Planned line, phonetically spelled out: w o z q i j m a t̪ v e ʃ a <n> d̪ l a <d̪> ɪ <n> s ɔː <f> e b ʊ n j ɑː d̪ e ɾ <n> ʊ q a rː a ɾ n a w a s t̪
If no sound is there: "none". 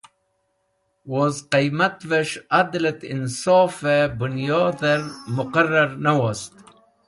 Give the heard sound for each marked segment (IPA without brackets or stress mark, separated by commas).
none, t̪, n, f, m